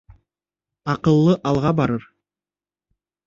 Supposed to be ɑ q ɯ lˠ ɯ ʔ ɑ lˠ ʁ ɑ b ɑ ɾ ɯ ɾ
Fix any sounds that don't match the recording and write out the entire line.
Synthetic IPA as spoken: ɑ q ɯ lˠː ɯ ʔ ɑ lˠ ʁ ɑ b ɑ ɾ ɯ ɾ

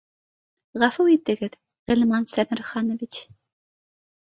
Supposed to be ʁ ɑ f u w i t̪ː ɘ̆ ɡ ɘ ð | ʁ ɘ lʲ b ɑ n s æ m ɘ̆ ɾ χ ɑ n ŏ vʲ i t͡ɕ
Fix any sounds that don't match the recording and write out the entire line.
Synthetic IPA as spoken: ʁ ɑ f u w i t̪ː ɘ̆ ɡ ɘ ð | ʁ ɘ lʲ m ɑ n s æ m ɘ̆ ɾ χ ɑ n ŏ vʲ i t͡ɕ

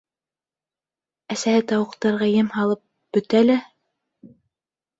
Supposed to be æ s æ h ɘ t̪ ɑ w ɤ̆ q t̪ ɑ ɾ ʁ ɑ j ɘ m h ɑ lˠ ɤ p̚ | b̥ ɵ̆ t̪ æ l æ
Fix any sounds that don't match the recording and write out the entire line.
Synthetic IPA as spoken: æ s æ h ɘ t̪ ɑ w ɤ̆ q t̪ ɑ ɾ ʁ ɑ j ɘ m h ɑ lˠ ɤ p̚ | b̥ ɵ̆ t̪ æ l æ

